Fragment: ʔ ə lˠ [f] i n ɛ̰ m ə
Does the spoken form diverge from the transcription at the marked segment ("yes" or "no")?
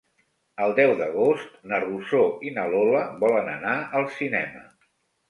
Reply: yes